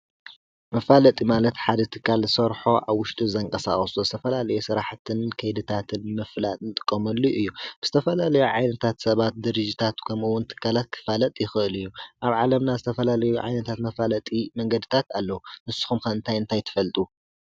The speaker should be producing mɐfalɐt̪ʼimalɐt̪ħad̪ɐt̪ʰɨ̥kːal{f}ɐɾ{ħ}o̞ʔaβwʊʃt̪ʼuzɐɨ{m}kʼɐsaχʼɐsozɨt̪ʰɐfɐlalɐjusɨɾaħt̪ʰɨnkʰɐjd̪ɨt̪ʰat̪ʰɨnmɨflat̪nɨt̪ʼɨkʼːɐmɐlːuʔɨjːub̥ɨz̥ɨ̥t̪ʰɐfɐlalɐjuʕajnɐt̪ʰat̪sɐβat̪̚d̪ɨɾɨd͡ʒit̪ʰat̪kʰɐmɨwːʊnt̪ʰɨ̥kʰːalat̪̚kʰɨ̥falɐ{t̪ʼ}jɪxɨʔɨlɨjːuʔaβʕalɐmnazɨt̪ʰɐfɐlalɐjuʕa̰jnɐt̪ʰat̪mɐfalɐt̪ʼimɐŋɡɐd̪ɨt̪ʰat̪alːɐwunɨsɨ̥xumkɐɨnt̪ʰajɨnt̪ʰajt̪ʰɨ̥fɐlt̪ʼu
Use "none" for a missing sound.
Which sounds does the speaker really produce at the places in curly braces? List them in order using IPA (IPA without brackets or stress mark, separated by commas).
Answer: s, ħ, ŋ, t̪ʼ